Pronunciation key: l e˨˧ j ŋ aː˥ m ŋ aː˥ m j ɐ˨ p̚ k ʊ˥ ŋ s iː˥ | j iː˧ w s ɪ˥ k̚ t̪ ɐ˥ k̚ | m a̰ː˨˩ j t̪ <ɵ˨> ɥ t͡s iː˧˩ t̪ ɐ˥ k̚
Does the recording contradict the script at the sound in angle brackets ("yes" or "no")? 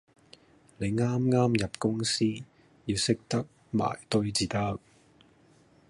yes